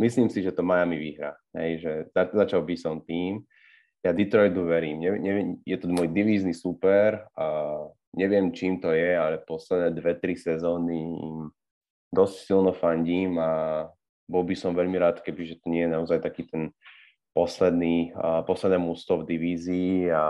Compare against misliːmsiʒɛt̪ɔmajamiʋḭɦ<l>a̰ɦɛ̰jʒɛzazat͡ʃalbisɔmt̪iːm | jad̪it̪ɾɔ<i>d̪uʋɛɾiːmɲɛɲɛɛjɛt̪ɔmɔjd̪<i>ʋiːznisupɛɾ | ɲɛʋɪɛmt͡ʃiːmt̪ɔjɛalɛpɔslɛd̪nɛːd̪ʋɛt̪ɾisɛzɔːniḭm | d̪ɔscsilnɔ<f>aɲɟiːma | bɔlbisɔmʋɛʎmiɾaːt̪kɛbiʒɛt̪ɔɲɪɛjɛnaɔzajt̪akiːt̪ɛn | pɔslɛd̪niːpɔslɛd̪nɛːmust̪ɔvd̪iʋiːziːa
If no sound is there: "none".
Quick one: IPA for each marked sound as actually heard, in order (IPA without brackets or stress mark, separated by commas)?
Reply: ɾ, j, i, f